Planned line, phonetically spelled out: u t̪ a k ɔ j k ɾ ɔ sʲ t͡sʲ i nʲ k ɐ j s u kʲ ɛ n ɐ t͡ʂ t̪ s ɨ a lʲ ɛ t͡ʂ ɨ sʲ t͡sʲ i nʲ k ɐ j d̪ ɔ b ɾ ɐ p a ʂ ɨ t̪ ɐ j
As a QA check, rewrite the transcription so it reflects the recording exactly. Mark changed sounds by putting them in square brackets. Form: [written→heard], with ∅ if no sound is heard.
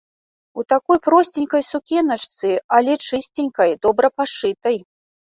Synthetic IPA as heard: u t̪ a k ɔ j [k→p] ɾ ɔ sʲ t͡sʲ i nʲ k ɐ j s u kʲ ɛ n ɐ t͡ʂ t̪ s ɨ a lʲ ɛ t͡ʂ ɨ sʲ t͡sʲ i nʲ k ɐ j d̪ ɔ b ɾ ɐ p a ʂ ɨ t̪ ɐ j